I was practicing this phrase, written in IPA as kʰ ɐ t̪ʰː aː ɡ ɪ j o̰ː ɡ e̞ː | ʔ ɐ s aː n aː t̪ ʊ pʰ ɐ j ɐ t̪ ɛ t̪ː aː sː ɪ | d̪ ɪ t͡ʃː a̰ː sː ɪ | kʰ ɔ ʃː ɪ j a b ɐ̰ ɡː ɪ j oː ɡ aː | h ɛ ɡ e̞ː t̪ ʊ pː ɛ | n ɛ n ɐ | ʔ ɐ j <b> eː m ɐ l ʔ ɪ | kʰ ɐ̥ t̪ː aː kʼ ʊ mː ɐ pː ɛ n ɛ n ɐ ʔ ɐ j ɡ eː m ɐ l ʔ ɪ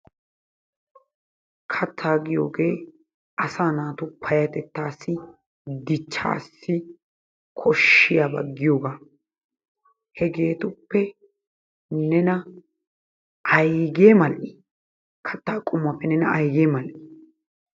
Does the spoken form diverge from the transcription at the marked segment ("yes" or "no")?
yes